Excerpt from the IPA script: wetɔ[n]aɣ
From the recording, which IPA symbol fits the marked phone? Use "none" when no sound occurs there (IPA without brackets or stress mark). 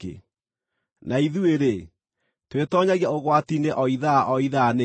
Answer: ɲ